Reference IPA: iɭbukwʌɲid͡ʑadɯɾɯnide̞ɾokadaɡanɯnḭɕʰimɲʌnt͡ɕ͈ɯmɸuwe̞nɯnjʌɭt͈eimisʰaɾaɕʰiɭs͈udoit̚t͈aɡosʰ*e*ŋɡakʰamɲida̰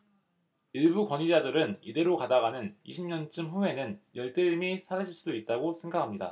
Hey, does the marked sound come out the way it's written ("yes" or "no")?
yes